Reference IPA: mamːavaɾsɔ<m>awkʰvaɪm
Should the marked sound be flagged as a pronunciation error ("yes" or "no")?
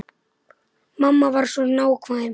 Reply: yes